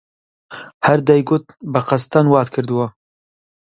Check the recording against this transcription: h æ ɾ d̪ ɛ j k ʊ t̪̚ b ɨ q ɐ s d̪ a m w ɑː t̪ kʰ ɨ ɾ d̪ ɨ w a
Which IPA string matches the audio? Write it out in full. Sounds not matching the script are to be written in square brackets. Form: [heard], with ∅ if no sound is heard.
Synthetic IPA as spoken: h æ ɾ d̪ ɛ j [ɡ] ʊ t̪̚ b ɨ q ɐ s [t̪] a [n] w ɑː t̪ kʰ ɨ ɾ d̪ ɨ w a